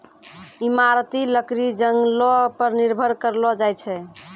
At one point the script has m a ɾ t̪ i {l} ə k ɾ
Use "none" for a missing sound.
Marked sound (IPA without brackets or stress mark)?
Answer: l